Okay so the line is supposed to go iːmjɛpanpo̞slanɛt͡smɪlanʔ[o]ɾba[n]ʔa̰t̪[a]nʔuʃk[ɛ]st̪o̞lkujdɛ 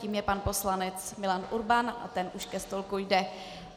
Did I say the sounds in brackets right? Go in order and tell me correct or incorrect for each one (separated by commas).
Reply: incorrect, correct, incorrect, correct